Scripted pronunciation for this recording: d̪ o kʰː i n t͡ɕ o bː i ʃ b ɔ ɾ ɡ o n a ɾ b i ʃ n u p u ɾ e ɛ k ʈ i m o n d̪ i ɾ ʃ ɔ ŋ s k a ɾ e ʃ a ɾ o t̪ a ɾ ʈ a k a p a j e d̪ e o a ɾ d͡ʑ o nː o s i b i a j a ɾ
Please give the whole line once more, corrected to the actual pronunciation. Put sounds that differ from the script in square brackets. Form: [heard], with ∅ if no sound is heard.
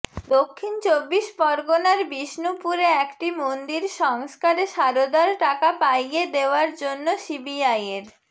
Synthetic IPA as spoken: d̪ o kʰː i n t͡ɕ o bː i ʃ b ɔ ɾ ɡ o n a ɾ b i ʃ n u p u ɾ e ɛ k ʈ i m o n d̪ i ɾ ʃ ɔ ŋ s k a ɾ e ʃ a ɾ o [d̪] a ɾ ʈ a k a p a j e d̪ e o a ɾ d͡ʑ o nː o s i b i a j [e] ɾ